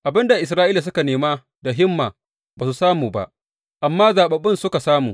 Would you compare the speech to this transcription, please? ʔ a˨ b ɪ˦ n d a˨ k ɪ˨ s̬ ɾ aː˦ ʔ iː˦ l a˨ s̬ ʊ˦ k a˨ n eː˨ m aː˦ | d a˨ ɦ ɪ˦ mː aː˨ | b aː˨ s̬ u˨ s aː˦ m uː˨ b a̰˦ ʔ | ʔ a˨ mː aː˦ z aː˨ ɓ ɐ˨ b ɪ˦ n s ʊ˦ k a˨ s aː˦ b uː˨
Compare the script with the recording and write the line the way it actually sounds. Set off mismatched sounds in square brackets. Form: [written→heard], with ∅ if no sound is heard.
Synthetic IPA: ʔ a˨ b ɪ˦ n d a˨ [k→ʔ] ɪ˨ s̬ ɾ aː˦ ʔ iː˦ l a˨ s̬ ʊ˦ k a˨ n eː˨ m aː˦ | d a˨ ɦ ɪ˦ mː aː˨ | b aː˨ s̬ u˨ s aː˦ m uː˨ b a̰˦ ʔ | ʔ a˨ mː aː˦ z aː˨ ɓ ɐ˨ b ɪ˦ n s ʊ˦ k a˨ s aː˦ [b→m] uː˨

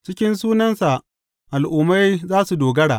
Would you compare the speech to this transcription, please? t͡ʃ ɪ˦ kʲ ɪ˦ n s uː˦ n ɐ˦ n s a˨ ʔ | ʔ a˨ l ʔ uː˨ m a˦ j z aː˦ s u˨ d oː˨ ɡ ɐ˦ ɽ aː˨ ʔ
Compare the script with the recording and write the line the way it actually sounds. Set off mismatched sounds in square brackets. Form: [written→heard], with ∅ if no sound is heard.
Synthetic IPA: t͡ʃ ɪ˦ kʲ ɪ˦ n s uː˦ n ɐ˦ n s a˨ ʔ | ʔ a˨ l ʔ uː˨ m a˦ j z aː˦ s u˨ d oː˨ ɡ ɐ˦ ɽ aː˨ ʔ

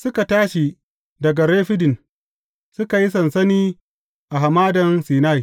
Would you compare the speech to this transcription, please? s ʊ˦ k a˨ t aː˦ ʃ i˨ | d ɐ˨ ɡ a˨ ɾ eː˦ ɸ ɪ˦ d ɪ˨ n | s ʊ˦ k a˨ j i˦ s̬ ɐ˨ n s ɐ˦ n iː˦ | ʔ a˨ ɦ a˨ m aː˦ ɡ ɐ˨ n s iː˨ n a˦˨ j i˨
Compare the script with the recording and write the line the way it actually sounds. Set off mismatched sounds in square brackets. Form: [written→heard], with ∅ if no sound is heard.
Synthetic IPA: s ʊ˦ k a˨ t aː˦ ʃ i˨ | d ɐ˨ ɡ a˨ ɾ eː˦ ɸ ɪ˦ d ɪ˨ n | s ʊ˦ k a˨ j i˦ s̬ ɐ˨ n s ɐ˦ n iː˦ | ʔ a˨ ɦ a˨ m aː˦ [ɡ→d] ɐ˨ n s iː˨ n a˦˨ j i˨

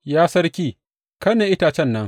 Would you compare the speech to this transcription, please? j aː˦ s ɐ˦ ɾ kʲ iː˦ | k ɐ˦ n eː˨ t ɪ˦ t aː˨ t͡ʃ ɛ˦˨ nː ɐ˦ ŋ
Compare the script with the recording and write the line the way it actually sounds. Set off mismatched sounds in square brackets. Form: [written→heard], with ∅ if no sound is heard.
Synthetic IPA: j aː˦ s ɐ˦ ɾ kʲ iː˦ | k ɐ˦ n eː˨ [t→ʔ] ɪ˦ t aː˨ t͡ʃ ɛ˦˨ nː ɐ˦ ŋ

